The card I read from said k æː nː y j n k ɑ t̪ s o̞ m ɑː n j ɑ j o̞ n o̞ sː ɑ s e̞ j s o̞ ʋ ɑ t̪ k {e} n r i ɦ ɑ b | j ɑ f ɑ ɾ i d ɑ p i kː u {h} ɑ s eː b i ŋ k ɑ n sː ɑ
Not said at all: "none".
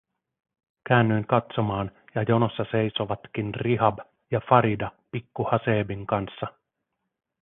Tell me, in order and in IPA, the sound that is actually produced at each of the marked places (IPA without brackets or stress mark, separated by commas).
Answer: i, h